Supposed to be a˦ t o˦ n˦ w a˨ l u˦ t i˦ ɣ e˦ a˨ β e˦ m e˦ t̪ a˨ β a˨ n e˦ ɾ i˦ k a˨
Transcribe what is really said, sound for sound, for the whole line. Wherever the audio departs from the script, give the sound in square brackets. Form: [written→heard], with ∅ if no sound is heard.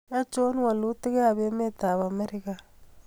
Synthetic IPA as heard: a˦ [t→t͡ʃ] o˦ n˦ w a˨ l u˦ t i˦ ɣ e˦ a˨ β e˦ m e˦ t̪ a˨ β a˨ [n→m] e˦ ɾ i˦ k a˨